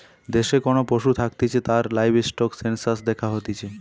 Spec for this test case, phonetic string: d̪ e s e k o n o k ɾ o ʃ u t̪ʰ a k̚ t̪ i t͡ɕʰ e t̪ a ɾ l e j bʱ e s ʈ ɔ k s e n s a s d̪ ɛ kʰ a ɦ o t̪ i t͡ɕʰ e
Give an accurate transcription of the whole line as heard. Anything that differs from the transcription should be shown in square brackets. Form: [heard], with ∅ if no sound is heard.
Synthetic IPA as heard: d̪ e [ʃ] e k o n o [p] ɾ o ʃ u t̪ʰ a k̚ t̪ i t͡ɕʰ e t̪ a ɾ l [a] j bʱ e s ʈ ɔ k s e n s a s d̪ ɛ kʰ a ɦ o t̪ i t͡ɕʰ e